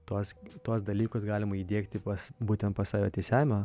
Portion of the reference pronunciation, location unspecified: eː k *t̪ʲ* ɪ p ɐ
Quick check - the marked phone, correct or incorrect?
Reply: correct